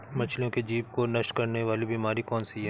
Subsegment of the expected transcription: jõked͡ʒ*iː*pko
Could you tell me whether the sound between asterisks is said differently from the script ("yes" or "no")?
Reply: no